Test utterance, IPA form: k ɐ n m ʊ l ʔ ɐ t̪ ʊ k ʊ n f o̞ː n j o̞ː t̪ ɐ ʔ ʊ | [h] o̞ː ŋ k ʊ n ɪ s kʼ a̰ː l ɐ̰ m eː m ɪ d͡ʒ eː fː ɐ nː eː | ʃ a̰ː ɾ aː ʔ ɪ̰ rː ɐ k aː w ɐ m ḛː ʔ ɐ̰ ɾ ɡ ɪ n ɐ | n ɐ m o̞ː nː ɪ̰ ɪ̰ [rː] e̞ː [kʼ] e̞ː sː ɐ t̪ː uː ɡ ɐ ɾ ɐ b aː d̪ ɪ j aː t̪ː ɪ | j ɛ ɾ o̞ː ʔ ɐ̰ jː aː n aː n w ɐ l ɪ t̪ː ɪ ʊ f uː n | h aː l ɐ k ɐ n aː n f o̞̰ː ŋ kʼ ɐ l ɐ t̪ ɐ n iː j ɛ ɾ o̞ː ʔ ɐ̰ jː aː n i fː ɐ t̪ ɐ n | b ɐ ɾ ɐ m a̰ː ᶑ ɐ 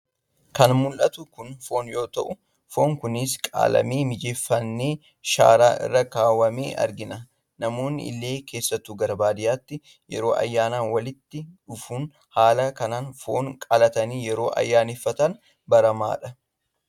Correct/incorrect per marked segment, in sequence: incorrect: f, incorrect: lː, incorrect: k

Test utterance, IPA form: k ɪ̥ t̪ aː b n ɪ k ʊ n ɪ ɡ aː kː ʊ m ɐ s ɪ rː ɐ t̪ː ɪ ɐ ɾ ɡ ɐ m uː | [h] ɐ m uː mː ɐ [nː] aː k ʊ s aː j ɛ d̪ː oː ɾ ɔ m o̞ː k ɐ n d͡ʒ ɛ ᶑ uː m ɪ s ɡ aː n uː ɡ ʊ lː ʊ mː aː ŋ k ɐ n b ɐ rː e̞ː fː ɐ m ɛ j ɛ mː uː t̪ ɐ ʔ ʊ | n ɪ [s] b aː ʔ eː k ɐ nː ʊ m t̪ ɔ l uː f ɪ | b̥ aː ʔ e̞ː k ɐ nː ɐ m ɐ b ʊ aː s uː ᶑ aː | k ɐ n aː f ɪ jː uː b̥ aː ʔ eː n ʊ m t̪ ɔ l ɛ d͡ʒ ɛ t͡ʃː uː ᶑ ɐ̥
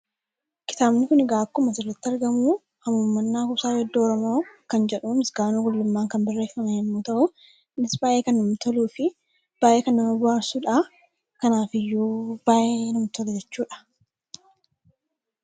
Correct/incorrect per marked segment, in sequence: correct, correct, correct

